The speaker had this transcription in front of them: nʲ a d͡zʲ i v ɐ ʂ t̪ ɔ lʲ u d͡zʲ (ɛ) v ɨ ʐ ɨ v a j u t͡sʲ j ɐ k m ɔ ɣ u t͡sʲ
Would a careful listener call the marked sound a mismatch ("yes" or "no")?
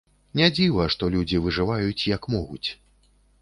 yes